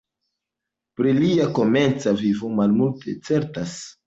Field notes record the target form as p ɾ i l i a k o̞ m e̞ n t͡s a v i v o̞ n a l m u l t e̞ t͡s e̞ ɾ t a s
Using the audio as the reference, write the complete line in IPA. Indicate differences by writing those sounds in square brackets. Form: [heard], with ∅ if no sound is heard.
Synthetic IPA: p ɾ i l i a k o̞ m e̞ n t͡s a v i v o̞ [m] a l m u l t e̞ t͡s e̞ ɾ t a s